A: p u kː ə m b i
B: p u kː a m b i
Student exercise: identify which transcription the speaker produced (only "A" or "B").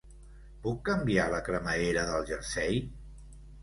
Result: A